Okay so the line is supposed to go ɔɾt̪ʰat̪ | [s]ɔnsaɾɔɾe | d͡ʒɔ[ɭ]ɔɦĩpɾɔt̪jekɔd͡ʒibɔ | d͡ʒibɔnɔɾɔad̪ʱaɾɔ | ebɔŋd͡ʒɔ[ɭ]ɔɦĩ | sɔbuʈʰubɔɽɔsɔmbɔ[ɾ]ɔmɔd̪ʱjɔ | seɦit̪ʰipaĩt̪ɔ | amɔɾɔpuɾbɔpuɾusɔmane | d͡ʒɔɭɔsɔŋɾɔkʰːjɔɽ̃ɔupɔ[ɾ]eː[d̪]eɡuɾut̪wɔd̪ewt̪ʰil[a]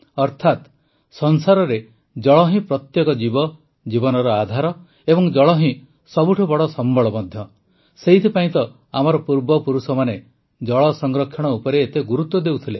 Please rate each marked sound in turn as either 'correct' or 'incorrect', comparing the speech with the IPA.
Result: correct, correct, correct, incorrect: ɭ, correct, incorrect: t̪, incorrect: e

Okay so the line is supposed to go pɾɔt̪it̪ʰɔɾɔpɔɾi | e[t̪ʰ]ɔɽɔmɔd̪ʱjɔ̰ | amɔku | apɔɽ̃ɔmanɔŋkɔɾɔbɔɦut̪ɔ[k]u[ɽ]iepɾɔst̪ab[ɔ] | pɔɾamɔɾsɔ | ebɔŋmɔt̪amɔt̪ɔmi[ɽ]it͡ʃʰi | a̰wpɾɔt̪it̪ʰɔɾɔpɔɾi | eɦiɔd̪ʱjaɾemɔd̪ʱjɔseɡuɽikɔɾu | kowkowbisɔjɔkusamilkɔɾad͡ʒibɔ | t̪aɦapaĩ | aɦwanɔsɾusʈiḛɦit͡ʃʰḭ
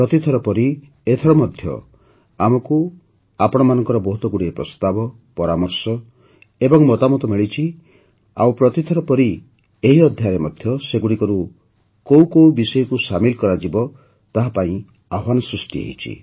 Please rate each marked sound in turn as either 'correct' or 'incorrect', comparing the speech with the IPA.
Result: correct, incorrect: ɡ, correct, correct, incorrect: ɭ

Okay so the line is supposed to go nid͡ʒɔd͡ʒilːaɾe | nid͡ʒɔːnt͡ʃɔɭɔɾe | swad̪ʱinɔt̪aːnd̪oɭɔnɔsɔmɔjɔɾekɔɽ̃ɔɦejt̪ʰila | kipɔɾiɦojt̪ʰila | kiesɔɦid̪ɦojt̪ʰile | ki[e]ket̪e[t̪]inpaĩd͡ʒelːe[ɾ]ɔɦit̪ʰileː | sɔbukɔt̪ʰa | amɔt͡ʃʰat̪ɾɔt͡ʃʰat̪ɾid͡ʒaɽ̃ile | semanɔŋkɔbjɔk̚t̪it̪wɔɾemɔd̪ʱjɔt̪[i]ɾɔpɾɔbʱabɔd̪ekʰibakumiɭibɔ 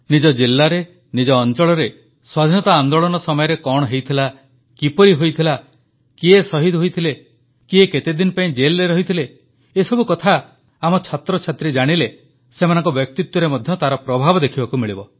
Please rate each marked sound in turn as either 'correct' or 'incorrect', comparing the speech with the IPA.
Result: correct, incorrect: d̪, correct, incorrect: a

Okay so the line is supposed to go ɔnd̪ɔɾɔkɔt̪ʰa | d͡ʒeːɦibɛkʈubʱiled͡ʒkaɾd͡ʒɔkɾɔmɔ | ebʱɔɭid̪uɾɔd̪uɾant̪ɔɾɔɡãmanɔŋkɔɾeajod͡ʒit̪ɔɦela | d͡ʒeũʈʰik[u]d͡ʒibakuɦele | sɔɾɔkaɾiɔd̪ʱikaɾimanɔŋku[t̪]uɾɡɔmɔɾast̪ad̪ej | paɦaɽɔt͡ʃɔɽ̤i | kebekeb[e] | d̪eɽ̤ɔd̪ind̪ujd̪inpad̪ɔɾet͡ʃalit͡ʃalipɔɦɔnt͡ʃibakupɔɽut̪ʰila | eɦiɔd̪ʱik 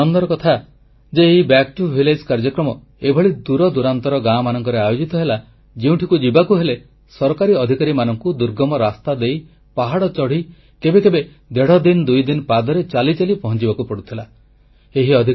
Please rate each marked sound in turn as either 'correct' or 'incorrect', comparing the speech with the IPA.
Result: correct, incorrect: d̪, correct

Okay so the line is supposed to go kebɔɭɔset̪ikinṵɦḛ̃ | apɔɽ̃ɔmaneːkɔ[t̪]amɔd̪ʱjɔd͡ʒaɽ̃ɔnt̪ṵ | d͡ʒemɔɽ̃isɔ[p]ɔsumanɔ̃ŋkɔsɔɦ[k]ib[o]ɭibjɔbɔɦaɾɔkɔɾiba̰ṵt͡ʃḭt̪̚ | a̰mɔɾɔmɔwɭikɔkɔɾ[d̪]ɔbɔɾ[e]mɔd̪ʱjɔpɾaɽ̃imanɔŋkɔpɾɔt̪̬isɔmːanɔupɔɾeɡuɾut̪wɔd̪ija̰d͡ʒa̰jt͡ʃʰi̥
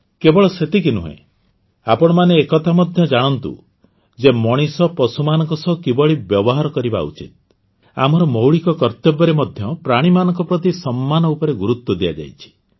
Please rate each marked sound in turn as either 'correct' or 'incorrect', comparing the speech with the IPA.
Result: incorrect: t̪ʰ, correct, correct, incorrect: ɔ, incorrect: t̪, correct

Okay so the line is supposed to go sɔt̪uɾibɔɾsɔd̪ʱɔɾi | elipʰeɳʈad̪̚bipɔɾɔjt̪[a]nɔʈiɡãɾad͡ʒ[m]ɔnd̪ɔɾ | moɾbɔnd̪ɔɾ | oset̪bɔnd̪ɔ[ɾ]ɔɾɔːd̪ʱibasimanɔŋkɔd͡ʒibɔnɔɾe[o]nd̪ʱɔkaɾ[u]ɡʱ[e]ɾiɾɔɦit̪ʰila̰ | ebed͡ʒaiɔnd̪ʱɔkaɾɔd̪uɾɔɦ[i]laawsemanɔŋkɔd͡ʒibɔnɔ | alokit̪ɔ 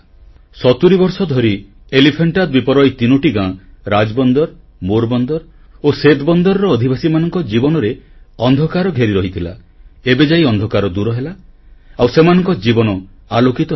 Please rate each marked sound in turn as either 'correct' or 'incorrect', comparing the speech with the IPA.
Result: incorrect: i, incorrect: b, correct, incorrect: ɔ, incorrect: ɔ, correct, incorrect: e

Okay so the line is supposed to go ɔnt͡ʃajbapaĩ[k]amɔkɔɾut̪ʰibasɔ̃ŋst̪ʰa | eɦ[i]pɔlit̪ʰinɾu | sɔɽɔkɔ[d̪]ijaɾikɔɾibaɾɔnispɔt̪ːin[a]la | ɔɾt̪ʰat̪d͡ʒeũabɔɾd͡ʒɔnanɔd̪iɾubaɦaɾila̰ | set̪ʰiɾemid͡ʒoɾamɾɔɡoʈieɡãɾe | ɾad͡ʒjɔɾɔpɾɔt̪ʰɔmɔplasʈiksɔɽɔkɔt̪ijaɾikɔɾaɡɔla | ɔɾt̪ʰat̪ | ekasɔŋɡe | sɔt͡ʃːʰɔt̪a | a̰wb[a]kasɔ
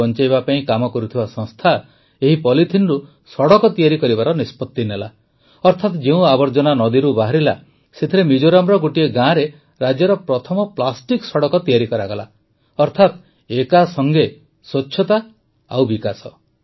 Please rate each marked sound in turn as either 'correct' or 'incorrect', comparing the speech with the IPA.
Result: correct, correct, incorrect: t̪, incorrect: e, incorrect: i

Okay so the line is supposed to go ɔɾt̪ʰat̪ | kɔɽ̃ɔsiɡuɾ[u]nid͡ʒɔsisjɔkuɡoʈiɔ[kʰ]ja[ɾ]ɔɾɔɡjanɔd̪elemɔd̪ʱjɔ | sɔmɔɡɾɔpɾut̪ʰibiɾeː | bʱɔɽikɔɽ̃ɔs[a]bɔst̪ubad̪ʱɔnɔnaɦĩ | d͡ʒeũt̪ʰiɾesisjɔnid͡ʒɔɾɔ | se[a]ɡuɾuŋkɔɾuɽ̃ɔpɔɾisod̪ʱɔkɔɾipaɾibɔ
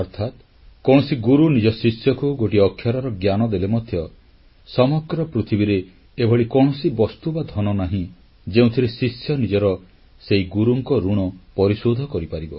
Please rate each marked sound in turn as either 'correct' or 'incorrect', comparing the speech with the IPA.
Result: correct, correct, correct, incorrect: i, incorrect: i

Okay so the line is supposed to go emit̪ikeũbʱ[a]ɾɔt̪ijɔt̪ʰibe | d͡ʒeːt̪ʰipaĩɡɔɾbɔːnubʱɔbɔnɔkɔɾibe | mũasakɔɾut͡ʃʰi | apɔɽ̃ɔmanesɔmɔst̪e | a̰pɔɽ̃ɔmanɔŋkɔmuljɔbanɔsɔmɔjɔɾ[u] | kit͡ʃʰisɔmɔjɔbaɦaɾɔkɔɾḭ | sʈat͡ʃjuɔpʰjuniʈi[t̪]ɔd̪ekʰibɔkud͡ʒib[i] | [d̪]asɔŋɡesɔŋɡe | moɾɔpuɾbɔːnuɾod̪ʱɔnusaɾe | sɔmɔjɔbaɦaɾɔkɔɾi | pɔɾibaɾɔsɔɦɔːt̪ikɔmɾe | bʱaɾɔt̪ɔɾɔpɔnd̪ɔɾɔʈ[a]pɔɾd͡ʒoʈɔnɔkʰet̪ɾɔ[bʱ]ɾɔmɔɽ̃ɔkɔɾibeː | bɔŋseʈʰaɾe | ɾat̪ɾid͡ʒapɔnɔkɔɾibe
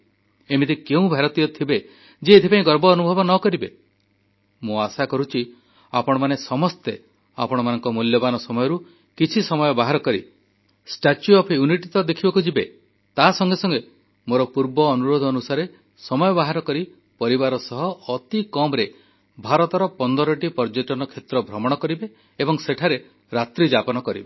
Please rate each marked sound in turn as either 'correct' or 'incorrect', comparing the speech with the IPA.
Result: correct, correct, correct, incorrect: e, incorrect: t̪, incorrect: i, correct

